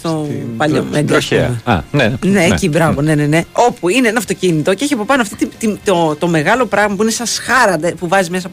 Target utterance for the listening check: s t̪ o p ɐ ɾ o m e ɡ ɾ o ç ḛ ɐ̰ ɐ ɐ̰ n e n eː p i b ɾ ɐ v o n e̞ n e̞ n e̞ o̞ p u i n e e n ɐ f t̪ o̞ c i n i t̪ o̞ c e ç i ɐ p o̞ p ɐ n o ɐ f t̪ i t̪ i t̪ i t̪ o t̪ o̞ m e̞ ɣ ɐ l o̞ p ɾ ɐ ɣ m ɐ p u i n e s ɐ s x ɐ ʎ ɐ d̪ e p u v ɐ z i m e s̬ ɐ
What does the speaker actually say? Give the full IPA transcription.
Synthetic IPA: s t̪ o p ɐ ʎ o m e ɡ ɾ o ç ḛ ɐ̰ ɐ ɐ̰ n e n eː c i b ɾ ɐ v o n e̞ n e̞ n e̞ o̞ p u i n e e n ɐ f t̪ o̞ c i n i t̪ o̞ c e ç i ɐ p o̞ p ɐ n o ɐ f t̪ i t̪ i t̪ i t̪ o t̪ o̞ m e̞ ɣ ɐ l o̞ p ɾ ɐ ɣ m ɐ p u i n e s ɐ s x ɐ ɾ ɐ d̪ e p u v ɐ z i m e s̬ ɐ